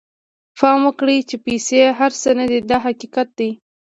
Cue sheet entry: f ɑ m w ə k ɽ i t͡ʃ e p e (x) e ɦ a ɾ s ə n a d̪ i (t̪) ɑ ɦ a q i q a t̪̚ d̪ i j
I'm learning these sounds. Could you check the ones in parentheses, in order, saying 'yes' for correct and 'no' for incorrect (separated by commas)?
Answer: no, no